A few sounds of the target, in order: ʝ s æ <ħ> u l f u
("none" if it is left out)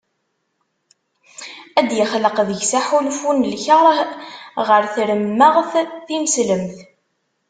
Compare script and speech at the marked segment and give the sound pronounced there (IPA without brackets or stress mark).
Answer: ħ